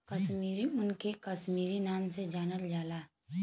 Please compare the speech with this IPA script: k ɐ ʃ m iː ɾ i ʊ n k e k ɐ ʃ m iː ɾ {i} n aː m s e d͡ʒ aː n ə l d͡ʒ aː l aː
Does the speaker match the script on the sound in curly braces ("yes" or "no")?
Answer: yes